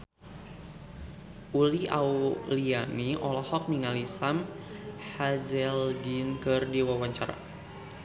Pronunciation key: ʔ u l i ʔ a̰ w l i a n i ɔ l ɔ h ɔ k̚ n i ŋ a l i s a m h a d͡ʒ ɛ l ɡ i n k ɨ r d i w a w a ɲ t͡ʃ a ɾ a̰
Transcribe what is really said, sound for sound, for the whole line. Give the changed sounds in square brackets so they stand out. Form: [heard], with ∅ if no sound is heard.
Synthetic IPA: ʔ u l i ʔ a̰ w l i a n i ɔ l ɔ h ɔ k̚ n i ŋ a l i s a m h a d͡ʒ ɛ l ɡ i n k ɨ r d i w a w a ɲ t͡ʃ a ɾ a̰